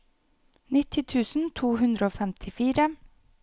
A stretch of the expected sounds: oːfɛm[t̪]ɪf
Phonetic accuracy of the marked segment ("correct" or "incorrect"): incorrect